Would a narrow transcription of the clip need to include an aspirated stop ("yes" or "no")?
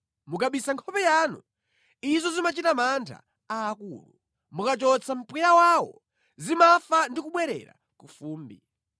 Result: yes